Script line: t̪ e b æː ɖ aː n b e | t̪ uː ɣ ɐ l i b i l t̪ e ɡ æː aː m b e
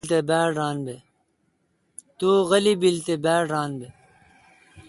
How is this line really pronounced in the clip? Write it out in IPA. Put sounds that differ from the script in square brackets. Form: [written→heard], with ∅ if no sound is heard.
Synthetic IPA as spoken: t̪ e b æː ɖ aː n b e | t̪ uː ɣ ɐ l i b i l t̪ e [ɡ→b] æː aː [m→n] b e